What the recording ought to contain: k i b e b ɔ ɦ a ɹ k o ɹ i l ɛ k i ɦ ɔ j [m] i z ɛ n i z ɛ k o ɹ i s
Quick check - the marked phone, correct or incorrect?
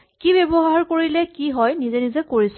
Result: incorrect